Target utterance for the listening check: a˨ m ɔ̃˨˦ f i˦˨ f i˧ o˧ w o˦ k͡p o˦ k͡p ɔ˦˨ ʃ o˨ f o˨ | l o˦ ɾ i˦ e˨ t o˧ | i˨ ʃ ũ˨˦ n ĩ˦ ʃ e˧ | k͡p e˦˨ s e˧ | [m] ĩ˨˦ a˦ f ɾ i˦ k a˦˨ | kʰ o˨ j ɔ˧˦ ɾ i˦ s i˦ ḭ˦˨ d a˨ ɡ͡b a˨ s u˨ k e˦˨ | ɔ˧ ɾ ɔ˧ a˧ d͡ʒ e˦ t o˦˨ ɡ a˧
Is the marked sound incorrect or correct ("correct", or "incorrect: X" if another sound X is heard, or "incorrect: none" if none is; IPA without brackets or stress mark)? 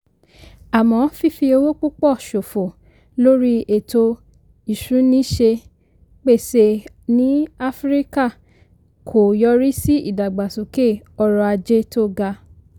incorrect: n